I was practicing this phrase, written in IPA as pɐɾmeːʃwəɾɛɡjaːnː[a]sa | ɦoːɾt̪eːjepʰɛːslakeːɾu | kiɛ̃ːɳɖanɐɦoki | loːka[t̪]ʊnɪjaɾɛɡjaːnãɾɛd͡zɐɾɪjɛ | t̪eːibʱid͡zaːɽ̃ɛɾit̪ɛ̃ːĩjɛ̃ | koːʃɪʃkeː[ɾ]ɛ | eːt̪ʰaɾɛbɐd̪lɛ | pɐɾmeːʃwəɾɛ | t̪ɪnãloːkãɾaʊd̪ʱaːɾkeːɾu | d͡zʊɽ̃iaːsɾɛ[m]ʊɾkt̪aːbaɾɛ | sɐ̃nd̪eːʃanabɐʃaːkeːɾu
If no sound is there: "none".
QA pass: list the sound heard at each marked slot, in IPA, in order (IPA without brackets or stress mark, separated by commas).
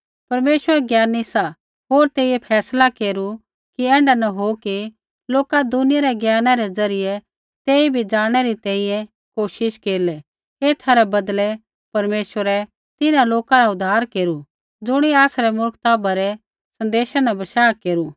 i, d̪, l, m